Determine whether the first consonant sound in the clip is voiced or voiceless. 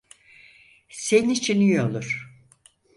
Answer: voiceless